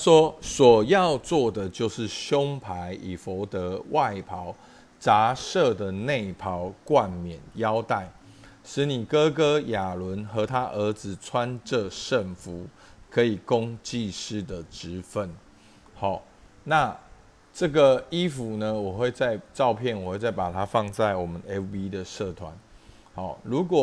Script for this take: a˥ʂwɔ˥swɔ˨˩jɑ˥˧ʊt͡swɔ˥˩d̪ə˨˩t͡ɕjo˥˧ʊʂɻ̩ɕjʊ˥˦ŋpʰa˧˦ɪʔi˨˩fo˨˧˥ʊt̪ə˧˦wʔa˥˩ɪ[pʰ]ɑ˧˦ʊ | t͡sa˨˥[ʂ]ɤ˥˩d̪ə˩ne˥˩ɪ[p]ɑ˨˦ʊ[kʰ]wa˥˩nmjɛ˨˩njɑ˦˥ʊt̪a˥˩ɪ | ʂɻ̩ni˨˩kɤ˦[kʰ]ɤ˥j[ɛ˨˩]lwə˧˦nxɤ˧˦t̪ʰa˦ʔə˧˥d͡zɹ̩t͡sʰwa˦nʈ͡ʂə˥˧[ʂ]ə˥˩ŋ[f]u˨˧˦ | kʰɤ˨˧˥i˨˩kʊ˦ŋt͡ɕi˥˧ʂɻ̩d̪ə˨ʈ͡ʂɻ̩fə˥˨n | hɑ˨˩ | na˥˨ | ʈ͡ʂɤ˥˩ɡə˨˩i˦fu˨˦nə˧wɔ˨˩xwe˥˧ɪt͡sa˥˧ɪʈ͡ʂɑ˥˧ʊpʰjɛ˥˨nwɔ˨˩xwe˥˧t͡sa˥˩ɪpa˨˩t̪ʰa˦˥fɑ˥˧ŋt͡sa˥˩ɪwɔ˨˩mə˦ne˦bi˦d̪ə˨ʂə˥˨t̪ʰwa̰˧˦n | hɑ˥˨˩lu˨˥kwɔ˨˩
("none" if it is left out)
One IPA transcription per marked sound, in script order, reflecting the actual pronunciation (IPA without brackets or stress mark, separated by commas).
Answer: pʰ, ʂ, pʰ, k, k, a˨˩, ʂ, f